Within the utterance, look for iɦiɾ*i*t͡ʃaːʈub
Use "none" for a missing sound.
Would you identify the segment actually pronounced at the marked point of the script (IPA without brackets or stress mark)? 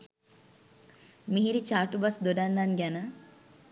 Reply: i